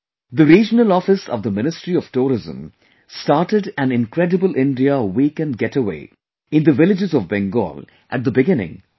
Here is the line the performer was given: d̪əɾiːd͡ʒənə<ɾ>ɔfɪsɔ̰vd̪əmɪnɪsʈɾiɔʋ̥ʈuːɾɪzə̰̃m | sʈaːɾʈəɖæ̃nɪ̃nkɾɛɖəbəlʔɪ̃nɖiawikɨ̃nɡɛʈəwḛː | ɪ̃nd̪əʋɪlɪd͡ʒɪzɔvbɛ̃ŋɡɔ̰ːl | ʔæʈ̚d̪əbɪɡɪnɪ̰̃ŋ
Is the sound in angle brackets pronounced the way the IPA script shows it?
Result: no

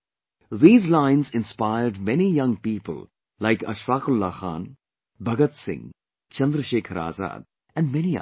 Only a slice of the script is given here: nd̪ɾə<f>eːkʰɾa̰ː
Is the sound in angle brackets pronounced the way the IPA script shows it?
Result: no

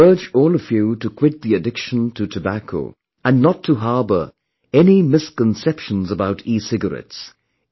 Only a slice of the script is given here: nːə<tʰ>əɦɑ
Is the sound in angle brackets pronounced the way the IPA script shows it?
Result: yes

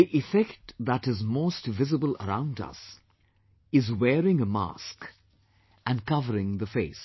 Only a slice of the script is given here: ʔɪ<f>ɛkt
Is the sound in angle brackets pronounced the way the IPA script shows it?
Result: yes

